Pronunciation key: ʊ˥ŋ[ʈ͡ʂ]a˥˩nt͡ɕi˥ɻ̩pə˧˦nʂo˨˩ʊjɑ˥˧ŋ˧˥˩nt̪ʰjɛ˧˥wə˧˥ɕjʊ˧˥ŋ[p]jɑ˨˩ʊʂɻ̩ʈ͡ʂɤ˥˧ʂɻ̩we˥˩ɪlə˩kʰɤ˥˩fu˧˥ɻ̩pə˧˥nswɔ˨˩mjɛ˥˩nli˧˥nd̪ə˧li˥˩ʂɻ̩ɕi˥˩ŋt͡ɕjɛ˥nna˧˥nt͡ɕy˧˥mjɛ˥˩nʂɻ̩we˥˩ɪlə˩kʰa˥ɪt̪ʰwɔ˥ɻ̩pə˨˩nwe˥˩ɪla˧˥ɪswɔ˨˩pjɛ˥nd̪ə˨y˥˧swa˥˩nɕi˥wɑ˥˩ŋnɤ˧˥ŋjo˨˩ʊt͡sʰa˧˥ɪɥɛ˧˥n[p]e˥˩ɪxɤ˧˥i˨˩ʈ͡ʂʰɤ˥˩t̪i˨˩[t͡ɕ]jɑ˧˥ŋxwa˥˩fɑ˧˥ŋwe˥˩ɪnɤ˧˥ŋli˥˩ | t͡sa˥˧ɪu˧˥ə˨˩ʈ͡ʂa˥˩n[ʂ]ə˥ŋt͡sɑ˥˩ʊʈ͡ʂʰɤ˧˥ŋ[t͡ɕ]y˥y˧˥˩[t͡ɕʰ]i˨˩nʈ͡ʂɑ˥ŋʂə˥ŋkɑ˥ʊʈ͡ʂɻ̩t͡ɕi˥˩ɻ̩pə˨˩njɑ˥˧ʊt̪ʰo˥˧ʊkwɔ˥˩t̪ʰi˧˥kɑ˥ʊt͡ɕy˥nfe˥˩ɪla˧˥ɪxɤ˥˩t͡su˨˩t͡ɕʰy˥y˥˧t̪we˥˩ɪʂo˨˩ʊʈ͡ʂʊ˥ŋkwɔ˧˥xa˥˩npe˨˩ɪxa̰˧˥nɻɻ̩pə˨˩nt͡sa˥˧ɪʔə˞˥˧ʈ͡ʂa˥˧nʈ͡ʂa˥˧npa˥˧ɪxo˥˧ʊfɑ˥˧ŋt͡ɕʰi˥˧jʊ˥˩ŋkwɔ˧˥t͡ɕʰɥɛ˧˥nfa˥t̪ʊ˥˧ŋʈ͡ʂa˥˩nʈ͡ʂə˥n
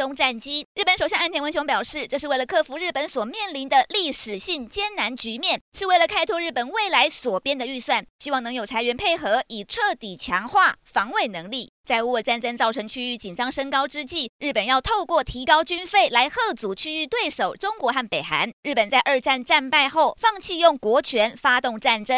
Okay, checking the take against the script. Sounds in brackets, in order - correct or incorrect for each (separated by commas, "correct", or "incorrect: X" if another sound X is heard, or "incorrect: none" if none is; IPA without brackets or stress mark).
correct, correct, incorrect: pʰ, incorrect: t͡ɕʰ, incorrect: ʈ͡ʂ, incorrect: t͡ɕʰ, incorrect: t͡ɕ